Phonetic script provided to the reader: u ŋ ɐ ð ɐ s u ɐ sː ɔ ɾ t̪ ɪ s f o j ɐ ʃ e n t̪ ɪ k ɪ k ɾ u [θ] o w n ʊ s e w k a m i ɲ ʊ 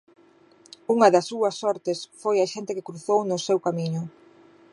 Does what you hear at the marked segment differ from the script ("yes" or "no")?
no